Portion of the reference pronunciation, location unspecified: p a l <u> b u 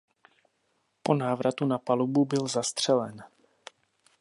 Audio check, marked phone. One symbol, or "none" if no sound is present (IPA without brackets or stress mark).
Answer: u